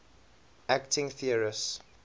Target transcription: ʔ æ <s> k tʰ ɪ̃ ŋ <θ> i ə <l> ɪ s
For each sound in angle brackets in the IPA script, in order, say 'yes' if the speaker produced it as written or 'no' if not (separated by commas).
no, yes, no